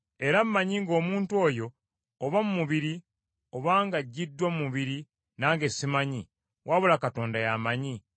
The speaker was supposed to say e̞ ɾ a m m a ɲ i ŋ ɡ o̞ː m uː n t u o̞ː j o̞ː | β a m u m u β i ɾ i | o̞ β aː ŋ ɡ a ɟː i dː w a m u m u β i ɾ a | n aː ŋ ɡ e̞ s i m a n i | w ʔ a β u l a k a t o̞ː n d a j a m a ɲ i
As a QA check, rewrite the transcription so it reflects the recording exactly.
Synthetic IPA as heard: e̞ ɾ a m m a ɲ i ŋ ɡ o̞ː m uː n t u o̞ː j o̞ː | β a m u m u β i ɾ i | o̞ β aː ŋ ɡ a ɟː i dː w a m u m u β i ɾ i | n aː ŋ ɡ e̞ s i m a ɲ i | w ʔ a β u l a k a t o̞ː n d a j a m a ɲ i